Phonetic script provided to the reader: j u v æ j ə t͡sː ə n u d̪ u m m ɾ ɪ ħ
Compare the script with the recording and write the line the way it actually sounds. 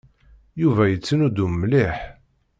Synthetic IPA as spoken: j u v æ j ə t͡sː ə n u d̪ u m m l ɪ ħ